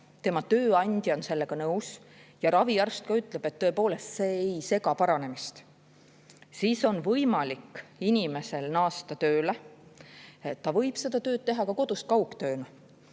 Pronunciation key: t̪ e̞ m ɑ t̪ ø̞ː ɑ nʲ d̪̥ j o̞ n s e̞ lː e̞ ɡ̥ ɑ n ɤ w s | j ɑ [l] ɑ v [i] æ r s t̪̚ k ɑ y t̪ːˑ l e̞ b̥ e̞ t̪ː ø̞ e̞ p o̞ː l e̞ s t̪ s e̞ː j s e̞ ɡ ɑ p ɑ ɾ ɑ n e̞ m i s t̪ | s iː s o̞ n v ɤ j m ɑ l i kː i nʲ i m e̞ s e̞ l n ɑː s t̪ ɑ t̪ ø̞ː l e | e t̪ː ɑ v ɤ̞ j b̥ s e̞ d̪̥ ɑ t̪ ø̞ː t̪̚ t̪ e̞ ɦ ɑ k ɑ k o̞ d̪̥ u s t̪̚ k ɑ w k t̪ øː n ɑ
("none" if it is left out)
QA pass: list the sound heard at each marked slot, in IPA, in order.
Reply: ɾ, i

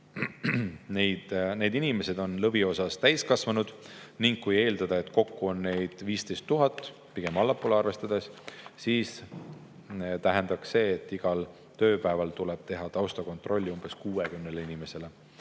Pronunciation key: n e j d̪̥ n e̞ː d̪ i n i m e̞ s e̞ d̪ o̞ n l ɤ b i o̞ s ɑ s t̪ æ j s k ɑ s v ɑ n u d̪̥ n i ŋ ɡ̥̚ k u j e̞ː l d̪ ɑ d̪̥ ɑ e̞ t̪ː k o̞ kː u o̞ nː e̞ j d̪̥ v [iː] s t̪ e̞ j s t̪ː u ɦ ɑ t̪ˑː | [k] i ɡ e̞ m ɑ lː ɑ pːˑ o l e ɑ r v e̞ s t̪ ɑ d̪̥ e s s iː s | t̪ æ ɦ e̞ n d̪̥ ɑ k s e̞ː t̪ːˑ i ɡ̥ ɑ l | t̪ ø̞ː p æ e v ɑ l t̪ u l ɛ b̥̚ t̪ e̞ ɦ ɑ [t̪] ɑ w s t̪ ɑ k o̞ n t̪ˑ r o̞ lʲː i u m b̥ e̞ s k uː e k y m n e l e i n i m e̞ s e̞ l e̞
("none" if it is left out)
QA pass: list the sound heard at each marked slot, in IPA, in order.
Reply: iː, p, t̪

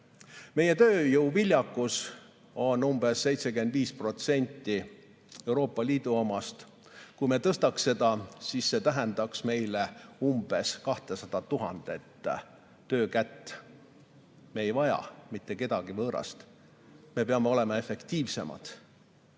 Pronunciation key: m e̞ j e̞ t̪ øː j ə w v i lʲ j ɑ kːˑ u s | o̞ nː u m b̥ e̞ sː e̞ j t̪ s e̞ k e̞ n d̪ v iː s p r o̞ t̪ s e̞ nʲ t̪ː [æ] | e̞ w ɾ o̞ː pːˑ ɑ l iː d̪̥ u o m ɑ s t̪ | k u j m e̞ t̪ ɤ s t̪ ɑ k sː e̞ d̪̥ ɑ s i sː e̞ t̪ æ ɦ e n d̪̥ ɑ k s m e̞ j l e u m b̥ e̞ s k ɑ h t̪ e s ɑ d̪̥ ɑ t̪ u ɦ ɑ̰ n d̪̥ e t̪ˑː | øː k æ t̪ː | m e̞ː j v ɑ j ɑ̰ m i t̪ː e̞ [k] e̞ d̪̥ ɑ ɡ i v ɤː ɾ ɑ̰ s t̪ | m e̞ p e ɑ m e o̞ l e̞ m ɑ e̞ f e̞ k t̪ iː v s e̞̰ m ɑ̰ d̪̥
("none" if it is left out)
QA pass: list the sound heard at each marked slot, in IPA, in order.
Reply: i, k

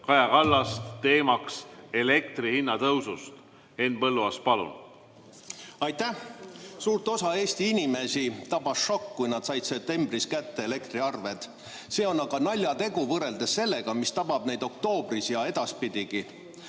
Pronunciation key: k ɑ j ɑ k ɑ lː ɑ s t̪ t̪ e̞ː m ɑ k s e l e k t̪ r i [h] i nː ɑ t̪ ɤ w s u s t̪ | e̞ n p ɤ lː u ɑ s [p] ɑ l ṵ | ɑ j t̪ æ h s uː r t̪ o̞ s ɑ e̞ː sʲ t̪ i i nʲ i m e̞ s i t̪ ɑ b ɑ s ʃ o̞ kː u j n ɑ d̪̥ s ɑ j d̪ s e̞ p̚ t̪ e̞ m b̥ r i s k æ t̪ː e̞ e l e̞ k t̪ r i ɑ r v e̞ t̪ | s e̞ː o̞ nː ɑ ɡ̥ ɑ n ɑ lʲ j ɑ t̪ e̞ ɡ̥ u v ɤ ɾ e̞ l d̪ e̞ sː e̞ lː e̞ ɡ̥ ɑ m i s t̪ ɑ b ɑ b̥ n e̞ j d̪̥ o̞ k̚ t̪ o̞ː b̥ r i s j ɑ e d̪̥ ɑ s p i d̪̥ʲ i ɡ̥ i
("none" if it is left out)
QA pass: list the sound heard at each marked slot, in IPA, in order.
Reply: h, p

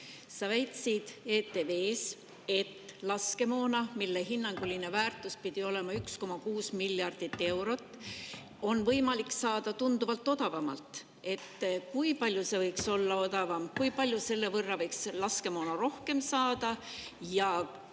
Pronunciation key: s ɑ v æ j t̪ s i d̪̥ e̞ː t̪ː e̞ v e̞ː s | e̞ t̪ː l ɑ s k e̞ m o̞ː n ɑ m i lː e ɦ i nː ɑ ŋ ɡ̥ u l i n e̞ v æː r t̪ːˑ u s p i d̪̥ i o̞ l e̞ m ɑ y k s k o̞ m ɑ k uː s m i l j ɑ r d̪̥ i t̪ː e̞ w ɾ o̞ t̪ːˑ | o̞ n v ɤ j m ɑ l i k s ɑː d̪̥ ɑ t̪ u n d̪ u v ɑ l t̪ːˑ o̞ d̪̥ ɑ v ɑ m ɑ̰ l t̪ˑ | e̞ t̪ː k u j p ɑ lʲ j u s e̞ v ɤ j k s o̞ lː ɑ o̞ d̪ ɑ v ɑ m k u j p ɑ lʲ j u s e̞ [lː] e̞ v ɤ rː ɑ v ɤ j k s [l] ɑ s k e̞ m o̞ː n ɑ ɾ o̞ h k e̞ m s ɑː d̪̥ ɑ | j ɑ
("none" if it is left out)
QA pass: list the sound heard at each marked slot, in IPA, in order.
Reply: lː, l

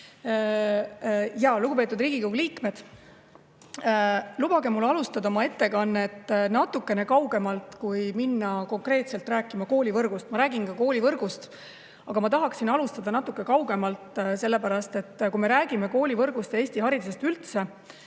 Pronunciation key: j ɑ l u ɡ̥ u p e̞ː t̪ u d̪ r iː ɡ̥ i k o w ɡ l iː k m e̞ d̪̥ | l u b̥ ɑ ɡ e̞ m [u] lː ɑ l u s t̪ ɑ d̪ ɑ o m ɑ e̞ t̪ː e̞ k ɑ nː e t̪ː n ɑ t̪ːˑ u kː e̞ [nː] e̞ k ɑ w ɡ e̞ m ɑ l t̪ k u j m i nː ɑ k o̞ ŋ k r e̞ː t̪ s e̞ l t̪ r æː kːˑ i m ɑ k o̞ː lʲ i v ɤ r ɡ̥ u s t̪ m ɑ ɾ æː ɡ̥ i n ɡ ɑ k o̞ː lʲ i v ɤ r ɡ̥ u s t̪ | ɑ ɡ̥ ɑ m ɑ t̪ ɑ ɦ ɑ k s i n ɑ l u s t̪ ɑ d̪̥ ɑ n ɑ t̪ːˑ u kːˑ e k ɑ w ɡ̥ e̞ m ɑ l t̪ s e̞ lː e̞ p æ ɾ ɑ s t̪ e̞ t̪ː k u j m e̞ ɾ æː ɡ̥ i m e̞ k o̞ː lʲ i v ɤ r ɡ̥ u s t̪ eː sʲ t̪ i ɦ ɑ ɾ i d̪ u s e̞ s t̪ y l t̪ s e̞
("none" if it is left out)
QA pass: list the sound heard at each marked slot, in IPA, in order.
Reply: u, n

